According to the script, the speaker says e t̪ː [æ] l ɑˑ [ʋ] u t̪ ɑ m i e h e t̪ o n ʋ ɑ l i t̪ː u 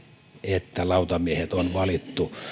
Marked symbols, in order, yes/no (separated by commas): yes, no